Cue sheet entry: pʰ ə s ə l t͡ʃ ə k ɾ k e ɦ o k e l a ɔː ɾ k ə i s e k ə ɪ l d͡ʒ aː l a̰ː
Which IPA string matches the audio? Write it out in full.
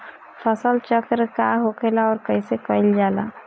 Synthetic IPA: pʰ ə s ə l t͡ʃ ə k ɾ k a ɦ o k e l a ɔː ɾ k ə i s e k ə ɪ l d͡ʒ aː l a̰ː